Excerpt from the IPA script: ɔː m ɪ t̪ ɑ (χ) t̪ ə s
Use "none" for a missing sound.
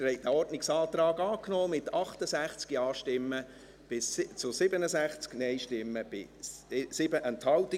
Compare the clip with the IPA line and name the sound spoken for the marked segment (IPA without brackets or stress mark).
χ